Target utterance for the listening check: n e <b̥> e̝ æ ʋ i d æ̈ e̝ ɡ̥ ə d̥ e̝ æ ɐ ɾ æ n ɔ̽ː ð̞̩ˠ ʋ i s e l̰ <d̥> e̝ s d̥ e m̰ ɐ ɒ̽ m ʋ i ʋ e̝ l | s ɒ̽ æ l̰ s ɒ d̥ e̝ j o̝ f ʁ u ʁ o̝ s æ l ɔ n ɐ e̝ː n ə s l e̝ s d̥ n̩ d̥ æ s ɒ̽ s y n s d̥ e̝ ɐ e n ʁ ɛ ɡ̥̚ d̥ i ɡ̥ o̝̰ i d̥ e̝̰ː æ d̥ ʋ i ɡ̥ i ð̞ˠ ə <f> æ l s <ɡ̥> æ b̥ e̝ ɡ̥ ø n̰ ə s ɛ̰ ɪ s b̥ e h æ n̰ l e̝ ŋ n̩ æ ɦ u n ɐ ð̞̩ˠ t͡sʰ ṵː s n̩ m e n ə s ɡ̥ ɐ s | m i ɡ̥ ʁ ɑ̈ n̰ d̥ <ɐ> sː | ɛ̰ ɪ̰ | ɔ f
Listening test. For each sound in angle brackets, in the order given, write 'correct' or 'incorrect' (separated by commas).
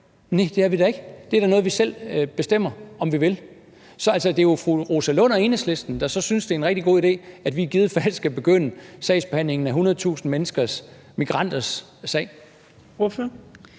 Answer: incorrect, incorrect, correct, correct, correct